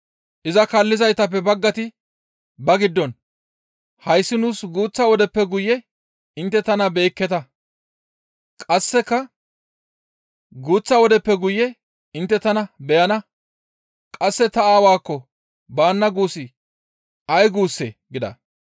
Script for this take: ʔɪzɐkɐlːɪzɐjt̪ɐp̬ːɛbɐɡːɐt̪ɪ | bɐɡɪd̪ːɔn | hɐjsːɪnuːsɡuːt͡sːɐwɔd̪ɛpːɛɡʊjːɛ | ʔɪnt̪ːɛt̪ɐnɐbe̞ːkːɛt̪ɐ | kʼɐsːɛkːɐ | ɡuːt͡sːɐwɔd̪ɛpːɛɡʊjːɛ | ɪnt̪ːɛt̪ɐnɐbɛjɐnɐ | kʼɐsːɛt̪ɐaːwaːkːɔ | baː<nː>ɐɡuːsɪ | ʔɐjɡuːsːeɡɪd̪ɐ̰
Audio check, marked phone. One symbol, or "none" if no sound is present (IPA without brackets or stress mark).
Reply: nː